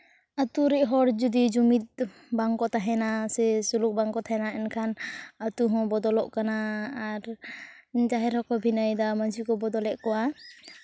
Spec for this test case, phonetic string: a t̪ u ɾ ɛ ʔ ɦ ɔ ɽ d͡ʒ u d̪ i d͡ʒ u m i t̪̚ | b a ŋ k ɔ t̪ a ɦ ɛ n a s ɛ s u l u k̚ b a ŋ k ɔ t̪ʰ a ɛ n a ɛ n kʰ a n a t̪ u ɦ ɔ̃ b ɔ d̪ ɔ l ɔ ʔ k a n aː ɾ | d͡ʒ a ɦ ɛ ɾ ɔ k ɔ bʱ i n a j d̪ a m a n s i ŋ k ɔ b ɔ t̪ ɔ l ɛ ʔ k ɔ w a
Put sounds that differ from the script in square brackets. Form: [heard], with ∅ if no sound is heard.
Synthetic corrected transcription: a t̪ u ɾ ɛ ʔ ɦ ɔ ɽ d͡ʒ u d̪ i d͡ʒ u m i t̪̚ | b a ŋ k ɔ t̪ a ɦ ɛ n a s ɛ s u l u k̚ b a ŋ k ɔ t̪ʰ a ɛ n a ɛ n kʰ a n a t̪ u ɦ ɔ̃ b ɔ d̪ ɔ l ɔ ʔ k a n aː ɾ | d͡ʒ a ɦ ɛ ɾ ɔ k ɔ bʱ i n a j d̪ a m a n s i [∅] k ɔ b ɔ [d̪] ɔ l ɛ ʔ k ɔ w a